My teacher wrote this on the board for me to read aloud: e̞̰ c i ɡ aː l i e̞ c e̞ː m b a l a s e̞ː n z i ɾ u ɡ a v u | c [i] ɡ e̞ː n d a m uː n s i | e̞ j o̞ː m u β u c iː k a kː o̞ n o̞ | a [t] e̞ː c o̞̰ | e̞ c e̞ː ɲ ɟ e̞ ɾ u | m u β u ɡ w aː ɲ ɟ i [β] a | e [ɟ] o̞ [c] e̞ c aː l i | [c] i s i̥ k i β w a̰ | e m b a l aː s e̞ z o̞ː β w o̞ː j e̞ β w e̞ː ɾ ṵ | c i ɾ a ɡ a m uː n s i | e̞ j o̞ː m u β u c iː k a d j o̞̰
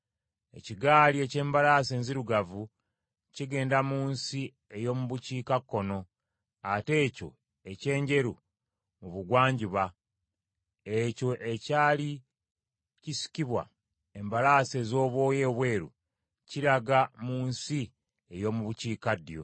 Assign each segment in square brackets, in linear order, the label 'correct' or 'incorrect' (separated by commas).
correct, correct, correct, incorrect, incorrect, correct